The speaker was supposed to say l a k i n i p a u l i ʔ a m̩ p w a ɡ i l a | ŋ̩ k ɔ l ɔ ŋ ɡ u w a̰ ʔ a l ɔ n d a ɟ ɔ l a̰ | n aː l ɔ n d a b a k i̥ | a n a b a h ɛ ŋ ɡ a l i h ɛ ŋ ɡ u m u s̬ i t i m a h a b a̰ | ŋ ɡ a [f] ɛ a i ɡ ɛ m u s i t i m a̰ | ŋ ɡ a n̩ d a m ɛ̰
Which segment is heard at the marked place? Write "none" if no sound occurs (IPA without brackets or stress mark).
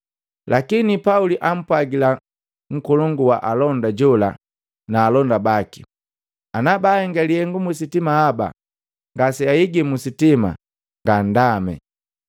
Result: s